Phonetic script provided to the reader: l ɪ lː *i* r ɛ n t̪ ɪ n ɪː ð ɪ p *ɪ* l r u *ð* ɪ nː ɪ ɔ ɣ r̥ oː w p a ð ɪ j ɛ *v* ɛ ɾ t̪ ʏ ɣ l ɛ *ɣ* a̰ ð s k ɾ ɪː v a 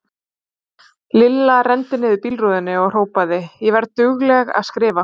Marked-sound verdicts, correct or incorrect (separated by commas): incorrect, incorrect, correct, correct, correct